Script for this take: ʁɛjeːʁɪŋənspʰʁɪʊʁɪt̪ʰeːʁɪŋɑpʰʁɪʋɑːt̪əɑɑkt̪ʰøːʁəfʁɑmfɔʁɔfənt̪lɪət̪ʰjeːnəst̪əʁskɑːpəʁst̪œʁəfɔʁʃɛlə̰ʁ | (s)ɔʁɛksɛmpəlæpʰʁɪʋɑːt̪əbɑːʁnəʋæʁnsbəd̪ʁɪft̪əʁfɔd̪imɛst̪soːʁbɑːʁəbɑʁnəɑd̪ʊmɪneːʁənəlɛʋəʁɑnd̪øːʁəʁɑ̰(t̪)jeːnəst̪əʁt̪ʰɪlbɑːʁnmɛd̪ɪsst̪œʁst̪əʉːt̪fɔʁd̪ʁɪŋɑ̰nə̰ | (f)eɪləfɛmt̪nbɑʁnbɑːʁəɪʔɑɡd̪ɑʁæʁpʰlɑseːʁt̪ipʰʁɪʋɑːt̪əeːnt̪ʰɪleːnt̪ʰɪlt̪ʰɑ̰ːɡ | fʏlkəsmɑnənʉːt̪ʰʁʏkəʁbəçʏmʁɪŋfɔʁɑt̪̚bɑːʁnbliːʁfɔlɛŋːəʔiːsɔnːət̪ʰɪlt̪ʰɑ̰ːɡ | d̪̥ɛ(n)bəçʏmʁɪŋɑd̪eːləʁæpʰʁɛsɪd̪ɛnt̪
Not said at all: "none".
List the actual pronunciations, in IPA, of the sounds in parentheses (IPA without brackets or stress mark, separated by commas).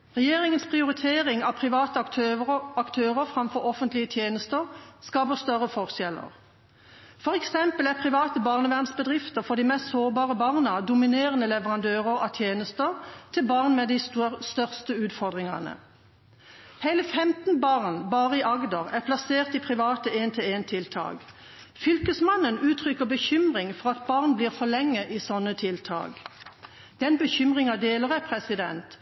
f, t̪ʰ, h, n